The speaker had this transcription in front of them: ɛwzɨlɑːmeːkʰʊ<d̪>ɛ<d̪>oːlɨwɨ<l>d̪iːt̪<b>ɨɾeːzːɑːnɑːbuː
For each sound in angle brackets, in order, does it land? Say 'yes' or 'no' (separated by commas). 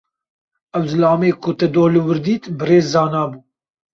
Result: no, yes, no, yes